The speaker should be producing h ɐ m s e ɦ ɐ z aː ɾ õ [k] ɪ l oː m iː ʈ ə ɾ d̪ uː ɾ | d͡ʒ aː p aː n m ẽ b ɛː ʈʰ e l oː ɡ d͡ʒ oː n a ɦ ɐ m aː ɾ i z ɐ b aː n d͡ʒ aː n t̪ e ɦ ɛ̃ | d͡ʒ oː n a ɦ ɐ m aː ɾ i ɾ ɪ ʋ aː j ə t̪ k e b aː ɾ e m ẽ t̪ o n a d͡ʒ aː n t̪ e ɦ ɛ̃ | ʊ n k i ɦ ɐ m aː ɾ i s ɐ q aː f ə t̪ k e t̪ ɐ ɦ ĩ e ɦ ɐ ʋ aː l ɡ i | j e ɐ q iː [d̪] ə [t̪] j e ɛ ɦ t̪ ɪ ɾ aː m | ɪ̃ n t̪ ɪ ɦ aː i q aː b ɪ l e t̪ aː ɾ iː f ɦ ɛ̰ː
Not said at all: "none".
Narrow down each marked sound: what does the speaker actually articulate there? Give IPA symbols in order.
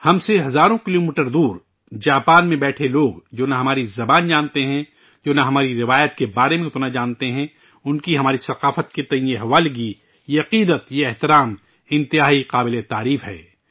k, d̪, t̪

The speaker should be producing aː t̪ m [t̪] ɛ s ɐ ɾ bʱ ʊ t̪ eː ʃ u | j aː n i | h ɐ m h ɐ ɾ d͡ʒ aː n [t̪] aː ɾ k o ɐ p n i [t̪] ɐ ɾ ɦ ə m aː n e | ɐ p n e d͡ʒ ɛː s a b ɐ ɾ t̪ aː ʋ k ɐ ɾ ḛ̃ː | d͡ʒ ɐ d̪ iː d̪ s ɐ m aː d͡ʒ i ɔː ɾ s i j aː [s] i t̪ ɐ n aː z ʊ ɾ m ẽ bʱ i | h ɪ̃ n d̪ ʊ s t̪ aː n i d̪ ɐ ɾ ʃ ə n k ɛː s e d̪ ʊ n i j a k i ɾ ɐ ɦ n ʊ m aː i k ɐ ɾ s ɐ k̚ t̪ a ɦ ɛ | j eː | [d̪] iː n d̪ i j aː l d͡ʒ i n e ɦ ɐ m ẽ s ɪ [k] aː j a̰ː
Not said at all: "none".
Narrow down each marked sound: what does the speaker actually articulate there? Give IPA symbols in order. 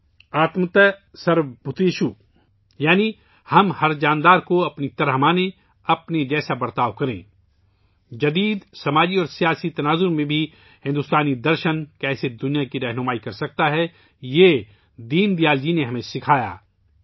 t̪, d̪, t̪, s, d̪, kʰ

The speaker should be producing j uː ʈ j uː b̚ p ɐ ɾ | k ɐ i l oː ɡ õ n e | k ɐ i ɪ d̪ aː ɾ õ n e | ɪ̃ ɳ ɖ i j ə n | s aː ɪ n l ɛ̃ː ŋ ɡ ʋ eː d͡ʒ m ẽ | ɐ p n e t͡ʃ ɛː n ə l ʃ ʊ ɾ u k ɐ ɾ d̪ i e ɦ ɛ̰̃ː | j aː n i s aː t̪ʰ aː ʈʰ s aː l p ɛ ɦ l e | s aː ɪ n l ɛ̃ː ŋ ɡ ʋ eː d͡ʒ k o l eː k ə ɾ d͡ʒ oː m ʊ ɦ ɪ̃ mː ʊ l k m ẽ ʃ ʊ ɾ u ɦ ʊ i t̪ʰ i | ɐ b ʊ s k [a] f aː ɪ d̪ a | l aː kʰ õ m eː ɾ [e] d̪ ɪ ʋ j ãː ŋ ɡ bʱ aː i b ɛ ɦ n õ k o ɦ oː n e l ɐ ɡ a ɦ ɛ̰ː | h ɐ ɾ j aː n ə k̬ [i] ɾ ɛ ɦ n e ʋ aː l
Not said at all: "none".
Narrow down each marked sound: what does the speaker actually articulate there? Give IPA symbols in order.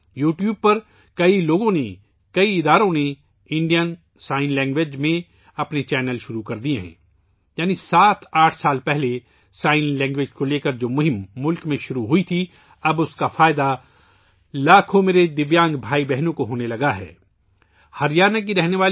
a, e, i

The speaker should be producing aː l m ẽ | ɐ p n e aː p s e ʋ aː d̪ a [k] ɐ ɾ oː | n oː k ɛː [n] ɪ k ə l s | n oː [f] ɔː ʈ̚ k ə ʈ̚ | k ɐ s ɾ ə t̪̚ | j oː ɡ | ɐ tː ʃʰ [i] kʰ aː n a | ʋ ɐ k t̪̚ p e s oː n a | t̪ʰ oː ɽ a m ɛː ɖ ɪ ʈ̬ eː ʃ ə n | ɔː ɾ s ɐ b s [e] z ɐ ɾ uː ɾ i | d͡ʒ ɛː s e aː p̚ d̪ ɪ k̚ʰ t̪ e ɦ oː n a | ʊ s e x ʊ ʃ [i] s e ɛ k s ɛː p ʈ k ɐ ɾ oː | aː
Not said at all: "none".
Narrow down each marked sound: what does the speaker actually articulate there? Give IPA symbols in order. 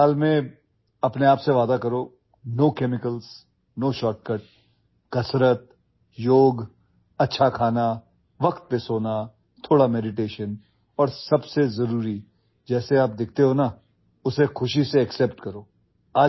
k, m, ʃ, a, e, i

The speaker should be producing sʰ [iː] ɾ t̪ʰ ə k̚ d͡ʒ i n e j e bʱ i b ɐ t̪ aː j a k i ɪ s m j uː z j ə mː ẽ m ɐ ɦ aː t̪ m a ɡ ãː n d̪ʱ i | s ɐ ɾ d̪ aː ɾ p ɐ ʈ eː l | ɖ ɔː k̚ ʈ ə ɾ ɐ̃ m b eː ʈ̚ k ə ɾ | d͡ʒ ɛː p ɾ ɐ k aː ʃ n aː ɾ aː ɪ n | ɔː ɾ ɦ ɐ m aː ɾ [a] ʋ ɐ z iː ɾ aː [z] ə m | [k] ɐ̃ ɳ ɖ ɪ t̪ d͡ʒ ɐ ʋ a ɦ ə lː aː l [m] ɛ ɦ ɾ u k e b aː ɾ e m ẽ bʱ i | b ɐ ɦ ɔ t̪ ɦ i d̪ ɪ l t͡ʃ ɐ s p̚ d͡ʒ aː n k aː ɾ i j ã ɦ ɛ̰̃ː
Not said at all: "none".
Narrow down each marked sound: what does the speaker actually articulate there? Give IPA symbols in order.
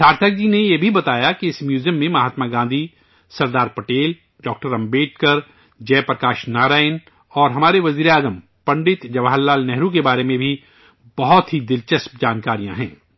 aː, e, z, p, n

